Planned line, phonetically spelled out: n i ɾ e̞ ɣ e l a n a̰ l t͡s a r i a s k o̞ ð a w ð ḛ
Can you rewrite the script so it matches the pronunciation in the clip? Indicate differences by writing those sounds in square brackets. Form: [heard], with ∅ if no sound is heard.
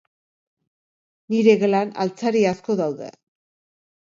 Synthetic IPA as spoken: n i ɾ e̞ ɣ e l a n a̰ l t͡s a [ɾ] i a s k o̞ ð a w ð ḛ